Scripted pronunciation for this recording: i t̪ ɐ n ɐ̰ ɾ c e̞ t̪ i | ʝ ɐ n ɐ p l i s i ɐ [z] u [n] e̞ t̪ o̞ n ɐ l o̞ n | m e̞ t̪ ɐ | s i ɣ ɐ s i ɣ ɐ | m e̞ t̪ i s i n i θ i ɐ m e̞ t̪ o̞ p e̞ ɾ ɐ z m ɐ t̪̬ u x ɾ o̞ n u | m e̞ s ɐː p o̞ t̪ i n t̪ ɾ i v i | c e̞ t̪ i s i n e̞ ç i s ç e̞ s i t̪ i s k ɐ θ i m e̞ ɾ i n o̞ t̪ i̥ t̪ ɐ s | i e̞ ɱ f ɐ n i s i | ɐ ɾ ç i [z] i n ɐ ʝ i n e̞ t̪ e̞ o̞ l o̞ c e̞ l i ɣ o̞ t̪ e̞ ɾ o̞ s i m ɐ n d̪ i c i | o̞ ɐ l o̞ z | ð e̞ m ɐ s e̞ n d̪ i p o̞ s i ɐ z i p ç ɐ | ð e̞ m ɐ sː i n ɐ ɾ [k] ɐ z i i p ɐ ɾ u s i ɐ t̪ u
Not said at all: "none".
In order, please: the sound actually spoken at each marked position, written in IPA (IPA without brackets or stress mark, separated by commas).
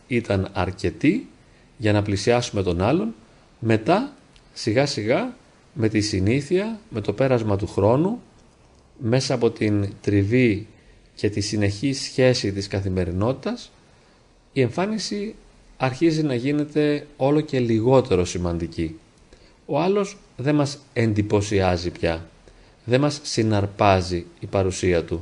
s, m, z, p